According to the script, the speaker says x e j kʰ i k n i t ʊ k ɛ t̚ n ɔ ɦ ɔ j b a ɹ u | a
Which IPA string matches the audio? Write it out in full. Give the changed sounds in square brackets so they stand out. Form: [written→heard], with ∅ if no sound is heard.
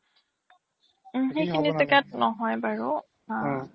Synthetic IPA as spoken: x e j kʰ i [k→∅] n i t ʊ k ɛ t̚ n ɔ ɦ ɔ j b a ɹ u | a